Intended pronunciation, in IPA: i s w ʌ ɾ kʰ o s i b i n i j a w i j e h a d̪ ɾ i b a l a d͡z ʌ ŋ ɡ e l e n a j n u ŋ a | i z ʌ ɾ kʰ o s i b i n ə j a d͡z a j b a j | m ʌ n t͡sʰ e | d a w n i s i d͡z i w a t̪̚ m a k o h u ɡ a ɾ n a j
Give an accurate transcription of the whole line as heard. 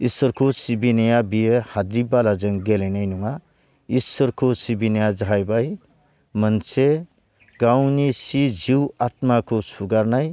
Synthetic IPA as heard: i s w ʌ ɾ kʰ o s i b i n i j a b i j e h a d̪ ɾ i b a l a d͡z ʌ ŋ ɡ e l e n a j n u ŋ a | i s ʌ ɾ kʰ o s i b i n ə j a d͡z a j b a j | m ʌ n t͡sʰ e | ɡ a w n i s i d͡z i w a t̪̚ m a k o s u ɡ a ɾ n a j